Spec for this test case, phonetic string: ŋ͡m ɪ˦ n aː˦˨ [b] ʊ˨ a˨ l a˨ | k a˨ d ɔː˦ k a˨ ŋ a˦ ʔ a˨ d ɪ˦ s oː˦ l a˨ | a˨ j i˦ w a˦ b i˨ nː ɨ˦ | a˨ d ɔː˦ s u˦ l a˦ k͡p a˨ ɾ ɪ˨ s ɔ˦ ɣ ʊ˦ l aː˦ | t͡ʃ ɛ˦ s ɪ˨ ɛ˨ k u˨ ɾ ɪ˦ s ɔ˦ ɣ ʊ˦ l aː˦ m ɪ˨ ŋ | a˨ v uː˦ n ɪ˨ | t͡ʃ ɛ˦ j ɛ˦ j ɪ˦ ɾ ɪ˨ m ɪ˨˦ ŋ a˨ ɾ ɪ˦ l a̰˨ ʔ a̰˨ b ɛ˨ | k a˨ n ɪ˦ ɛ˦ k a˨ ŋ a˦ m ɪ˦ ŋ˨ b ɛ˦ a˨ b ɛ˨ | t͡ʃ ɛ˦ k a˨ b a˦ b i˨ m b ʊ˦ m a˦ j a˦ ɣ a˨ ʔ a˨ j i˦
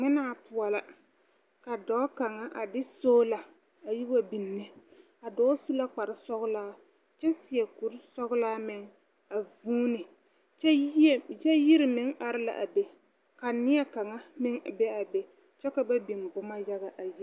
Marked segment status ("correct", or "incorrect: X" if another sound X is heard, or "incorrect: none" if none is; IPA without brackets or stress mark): incorrect: p